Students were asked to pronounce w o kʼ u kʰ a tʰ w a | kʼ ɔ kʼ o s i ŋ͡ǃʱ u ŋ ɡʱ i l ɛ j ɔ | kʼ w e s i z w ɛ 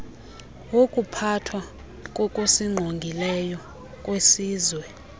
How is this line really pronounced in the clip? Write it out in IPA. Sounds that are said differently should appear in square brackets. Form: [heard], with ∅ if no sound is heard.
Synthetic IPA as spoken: w o kʼ u [pʰ] a tʰ w a | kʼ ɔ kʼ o s i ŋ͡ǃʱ [o] ŋ ɡʱ i l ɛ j ɔ | kʼ w e s [iː] z w ɛ